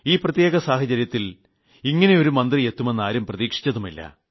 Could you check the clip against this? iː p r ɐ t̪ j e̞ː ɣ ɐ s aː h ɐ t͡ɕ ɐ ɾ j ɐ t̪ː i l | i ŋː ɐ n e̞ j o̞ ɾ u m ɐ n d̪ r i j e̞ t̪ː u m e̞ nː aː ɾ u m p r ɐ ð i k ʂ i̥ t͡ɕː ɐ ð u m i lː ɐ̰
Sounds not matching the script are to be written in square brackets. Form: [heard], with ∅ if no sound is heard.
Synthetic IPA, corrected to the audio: iː p r ɐ t̪ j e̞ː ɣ ɐ s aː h ɐ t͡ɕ ɐ ɾ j ɐ t̪ː i l | i ŋː ɐ n e̞ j o̞ ɾ u m ɐ n d̪ r i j e̞ t̪ː u m e̞ nː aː ɾ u m p r ɐ ð [iː] k ʂ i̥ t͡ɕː ɐ ð u m i lː ɐ̰